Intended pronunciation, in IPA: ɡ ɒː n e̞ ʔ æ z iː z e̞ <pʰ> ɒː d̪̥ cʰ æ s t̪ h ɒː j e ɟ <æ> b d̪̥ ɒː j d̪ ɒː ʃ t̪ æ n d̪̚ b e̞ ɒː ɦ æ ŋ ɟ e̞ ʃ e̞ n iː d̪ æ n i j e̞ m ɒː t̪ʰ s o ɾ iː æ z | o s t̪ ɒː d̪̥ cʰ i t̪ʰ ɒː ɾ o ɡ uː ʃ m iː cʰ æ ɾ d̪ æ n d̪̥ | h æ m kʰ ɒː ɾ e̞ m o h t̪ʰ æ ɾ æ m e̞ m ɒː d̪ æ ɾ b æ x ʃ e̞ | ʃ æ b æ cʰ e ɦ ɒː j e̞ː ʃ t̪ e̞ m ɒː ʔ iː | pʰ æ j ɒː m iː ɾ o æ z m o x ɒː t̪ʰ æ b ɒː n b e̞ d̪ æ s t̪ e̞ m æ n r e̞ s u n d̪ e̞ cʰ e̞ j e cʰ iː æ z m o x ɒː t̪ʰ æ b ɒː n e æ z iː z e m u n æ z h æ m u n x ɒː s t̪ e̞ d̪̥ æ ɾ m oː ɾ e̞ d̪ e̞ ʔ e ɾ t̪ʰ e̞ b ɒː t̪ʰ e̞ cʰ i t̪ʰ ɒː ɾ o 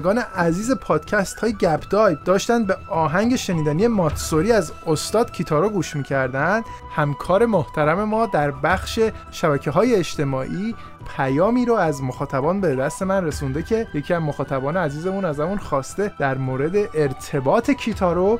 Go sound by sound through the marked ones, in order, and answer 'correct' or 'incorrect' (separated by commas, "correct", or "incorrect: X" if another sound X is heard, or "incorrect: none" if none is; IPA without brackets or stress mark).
correct, correct